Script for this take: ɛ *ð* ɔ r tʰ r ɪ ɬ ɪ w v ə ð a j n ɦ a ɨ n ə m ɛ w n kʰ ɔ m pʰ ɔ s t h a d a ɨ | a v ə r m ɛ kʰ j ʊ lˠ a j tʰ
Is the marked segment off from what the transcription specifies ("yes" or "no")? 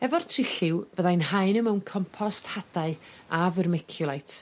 yes